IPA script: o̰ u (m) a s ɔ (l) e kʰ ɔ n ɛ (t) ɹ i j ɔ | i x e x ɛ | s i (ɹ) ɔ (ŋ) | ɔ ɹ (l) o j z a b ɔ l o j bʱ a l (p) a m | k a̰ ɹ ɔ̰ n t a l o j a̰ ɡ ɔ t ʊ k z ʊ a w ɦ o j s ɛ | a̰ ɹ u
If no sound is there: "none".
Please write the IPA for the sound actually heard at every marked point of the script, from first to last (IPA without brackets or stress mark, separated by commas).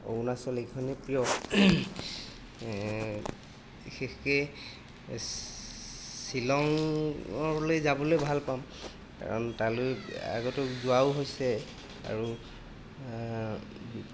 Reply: n, l, p, l, ŋ, l, p